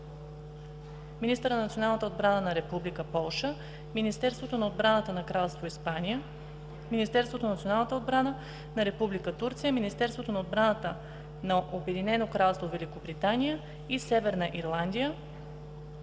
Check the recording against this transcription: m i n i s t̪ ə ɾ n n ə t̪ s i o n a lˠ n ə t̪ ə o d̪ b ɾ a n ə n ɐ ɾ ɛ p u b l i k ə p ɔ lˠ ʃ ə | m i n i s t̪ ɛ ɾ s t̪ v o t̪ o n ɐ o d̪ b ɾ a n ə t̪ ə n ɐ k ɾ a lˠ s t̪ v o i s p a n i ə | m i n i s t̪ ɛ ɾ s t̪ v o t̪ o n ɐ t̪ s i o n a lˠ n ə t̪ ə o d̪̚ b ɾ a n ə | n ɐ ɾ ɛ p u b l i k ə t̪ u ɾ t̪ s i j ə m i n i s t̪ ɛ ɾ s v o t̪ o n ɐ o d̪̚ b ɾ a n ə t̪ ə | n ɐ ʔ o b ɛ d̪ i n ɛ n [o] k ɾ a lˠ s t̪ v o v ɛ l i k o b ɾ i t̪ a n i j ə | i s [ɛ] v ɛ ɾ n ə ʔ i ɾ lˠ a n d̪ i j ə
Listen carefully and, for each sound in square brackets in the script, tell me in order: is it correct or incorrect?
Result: correct, correct

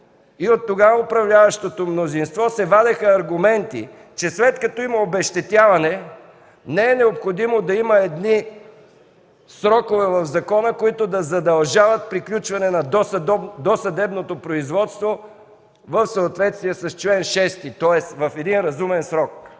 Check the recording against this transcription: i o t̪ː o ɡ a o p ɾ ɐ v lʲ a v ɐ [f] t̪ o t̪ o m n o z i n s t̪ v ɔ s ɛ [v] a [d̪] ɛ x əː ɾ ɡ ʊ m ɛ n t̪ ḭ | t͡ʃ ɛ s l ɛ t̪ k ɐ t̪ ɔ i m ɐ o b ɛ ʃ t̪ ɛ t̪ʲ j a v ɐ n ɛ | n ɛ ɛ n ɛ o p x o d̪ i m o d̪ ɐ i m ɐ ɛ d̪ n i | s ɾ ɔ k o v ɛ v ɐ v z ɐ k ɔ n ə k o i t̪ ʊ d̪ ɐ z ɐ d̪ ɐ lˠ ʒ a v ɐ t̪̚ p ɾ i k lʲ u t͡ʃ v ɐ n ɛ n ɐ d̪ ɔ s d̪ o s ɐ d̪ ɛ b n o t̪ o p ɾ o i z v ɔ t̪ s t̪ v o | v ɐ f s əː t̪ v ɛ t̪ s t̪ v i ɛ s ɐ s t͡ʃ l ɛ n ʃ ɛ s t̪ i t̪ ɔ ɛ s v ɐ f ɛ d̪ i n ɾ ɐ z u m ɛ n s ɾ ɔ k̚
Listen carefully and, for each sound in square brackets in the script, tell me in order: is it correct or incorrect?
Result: incorrect, correct, correct

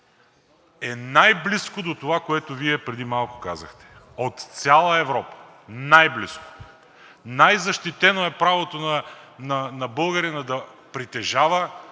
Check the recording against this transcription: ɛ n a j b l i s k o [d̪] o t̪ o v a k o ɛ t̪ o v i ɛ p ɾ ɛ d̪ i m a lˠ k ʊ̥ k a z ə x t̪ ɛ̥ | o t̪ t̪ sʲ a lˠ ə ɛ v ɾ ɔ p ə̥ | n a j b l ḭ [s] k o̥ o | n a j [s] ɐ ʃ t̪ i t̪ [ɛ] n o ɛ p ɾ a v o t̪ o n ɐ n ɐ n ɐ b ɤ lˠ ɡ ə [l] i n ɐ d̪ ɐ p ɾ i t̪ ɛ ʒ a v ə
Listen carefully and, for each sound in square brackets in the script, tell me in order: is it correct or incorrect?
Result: correct, correct, incorrect, correct, incorrect

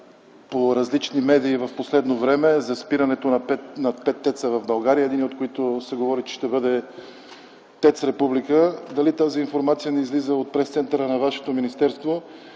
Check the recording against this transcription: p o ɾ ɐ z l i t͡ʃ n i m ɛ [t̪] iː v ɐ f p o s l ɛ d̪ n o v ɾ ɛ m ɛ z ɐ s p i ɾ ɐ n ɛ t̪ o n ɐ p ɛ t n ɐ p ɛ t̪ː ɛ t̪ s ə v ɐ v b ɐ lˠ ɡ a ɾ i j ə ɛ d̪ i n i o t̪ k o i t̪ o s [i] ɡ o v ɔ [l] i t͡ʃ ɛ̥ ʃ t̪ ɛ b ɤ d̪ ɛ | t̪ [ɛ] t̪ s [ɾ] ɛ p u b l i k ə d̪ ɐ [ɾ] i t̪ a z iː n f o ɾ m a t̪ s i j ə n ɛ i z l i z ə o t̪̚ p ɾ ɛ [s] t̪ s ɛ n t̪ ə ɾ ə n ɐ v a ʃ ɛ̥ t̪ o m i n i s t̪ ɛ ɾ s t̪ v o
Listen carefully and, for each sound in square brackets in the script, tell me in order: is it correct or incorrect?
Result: incorrect, incorrect, incorrect, correct, correct, incorrect, correct

